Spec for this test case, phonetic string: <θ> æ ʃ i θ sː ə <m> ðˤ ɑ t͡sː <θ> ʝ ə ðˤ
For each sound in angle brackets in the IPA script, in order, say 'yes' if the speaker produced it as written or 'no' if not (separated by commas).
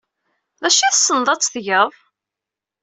no, no, yes